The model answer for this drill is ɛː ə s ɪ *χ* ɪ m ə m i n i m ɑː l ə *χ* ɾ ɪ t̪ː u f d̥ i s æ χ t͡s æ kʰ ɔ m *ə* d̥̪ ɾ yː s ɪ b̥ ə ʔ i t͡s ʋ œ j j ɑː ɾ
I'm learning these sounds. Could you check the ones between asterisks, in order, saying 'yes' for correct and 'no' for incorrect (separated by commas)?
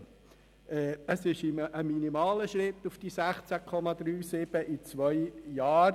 no, no, no